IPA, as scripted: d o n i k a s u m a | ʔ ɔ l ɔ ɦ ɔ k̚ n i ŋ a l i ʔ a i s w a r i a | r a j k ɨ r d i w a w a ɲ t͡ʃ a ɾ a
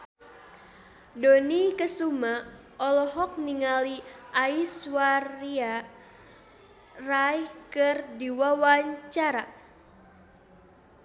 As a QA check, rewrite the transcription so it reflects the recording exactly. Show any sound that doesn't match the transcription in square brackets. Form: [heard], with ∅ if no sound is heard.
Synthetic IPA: d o n i k [ə] s u m a | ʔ ɔ l ɔ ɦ ɔ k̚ n i ŋ a l i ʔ a i s w a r i a | r a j k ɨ r d i w a w a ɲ t͡ʃ a ɾ a